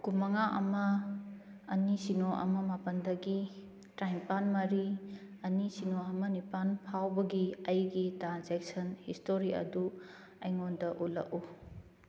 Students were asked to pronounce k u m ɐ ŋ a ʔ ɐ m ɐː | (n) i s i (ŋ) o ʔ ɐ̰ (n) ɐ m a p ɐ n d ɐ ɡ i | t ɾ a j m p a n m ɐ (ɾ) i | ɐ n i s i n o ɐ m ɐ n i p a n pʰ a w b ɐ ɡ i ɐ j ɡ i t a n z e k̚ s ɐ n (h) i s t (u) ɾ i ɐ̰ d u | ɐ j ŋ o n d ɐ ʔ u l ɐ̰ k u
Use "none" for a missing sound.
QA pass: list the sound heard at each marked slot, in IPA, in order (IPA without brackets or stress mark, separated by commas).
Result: n, n, m, ɾ, h, o